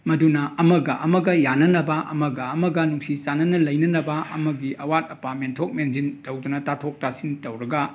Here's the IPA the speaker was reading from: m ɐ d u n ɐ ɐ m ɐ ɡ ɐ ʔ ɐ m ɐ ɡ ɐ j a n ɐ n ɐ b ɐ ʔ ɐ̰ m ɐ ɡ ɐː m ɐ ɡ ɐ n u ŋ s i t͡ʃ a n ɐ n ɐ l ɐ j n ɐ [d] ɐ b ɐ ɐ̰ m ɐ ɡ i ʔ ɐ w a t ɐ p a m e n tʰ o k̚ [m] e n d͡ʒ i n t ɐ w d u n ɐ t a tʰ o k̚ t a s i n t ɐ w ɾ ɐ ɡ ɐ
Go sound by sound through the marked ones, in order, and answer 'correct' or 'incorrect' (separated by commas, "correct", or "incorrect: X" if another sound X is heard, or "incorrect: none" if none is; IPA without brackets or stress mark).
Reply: incorrect: n, correct